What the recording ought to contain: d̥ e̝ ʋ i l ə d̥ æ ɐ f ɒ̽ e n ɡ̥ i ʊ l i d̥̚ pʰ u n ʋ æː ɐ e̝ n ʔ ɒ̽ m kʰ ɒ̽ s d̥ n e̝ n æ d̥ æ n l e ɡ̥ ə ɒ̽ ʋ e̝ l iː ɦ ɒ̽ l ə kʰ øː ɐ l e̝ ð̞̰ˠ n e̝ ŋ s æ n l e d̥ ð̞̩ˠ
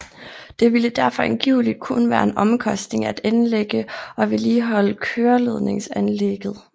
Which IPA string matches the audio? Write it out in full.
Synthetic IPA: d̥ e̝ ʋ i l ə d̥ æ ɐ f ɒ̽ e n ɡ̥ i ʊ l i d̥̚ kʰ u n ʋ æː ɐ e̝ n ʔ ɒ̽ m kʰ ɒ̽ s d̥ n e̝ ŋ æ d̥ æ n l e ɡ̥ ə ɒ̽ ʋ e̝ l iː ɦ ɒ̽ l ə kʰ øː ɐ l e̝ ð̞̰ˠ n e̝ ŋ s æ n l e ɡ̥ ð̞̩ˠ